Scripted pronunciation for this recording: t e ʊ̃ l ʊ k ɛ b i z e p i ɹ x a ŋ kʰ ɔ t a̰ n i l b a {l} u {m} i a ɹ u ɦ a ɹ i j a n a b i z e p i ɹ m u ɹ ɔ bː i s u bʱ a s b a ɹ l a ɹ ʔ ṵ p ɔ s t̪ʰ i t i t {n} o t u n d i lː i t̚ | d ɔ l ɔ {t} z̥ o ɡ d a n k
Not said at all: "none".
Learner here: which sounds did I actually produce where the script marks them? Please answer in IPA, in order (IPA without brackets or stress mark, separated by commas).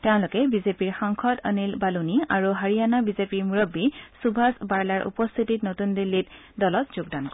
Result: l, n, n, t